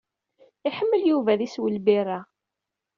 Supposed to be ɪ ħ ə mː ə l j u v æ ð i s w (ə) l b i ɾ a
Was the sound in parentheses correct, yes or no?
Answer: yes